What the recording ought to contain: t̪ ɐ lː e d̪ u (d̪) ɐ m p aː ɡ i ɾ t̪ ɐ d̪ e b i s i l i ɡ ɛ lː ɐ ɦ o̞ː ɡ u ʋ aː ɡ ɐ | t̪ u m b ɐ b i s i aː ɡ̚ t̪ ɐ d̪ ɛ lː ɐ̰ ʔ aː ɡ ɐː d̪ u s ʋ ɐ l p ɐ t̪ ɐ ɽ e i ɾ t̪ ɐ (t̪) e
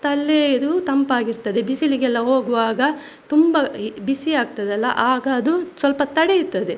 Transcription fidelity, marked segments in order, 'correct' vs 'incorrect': incorrect: t̪, incorrect: d̪

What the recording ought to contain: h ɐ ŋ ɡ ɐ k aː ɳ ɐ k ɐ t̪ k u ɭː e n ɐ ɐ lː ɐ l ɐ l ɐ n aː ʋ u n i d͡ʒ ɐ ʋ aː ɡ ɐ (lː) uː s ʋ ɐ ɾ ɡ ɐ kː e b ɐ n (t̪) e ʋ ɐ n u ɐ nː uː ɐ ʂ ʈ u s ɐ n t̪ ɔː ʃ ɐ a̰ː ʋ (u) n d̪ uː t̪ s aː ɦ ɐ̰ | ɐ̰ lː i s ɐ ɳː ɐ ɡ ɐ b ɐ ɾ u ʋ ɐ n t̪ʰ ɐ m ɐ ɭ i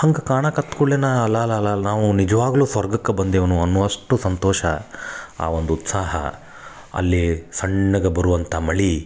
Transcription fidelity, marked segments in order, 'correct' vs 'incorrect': incorrect: l, incorrect: d̪, incorrect: o

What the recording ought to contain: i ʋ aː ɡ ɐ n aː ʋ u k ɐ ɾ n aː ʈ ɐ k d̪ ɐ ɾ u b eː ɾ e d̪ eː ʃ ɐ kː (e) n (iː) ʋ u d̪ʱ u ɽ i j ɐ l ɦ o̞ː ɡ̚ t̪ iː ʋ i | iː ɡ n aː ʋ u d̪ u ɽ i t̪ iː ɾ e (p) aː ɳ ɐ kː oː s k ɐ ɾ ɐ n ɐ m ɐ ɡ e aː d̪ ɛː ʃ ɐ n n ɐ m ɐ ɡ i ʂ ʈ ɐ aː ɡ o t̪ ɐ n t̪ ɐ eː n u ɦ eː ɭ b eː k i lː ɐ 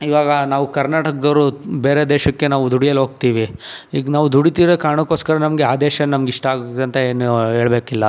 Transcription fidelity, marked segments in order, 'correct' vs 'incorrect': correct, incorrect: aː, incorrect: k

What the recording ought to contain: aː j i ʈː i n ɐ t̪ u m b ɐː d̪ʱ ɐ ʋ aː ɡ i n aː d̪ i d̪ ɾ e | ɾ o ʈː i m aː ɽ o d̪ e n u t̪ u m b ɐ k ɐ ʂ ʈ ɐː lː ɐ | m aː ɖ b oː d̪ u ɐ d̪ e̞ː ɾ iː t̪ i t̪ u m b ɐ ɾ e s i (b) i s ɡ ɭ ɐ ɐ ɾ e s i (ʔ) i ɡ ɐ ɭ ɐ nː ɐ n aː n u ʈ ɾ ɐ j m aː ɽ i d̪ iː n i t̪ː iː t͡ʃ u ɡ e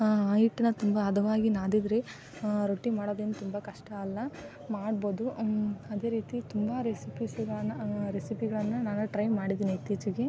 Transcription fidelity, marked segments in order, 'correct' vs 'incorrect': incorrect: p, incorrect: p

